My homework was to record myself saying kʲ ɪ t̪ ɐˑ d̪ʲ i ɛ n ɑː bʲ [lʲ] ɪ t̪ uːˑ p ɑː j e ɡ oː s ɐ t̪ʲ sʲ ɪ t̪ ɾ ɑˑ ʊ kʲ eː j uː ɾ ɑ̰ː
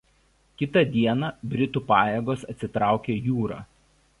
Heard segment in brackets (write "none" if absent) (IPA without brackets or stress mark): ɾʲ